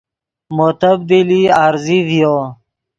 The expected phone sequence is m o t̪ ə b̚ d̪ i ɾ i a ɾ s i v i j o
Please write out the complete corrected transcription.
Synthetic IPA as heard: m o t̪ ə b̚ d̪ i l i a ɾ z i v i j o